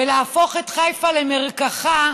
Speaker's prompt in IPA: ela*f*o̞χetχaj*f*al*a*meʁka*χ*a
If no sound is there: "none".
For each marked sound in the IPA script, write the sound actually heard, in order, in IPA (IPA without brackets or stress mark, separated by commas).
f, f, e, χ